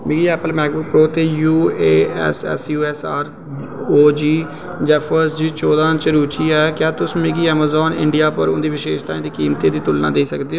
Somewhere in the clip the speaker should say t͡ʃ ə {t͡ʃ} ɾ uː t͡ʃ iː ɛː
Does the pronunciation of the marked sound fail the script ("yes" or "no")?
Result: yes